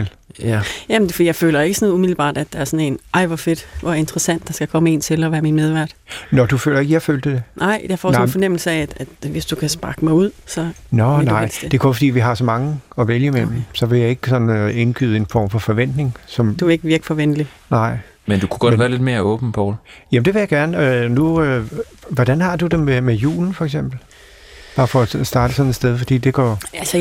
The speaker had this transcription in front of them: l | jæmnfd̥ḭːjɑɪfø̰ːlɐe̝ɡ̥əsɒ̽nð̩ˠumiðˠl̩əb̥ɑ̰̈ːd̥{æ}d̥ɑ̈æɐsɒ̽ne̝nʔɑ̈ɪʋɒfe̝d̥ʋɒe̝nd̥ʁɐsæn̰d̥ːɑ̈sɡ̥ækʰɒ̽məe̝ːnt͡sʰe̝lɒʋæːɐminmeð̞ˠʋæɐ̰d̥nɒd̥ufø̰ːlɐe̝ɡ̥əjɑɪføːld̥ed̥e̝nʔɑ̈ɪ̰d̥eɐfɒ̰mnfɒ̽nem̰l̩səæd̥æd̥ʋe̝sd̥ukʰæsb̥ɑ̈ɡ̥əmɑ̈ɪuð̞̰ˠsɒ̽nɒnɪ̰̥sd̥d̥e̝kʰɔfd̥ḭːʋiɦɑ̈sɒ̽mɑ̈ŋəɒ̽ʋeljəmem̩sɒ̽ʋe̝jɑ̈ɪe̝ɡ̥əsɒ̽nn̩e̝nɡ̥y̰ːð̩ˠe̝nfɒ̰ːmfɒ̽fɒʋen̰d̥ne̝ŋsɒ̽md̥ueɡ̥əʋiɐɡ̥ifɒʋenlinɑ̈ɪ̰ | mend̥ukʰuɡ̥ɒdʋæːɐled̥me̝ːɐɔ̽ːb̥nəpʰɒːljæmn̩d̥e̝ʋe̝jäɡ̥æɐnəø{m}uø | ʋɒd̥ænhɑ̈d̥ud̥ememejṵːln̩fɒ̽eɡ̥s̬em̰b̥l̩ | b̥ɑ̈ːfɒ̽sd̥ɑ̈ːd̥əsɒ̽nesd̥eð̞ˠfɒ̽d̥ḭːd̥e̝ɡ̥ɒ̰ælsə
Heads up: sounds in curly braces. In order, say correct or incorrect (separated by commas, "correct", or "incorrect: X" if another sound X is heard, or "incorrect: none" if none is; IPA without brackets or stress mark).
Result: correct, incorrect: n